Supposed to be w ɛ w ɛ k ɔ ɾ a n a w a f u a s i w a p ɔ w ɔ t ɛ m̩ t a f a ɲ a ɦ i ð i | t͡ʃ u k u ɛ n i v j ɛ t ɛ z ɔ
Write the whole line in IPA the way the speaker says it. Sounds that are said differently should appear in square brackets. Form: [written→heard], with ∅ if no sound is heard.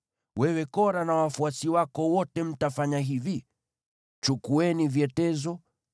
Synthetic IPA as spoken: w ɛ w ɛ k ɔ ɾ a n a w a f u a s i w a [p→k] ɔ w ɔ t ɛ m̩ t a f a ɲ a ɦ i [ð→v] i | t͡ʃ u k u ɛ n i v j ɛ t ɛ z ɔ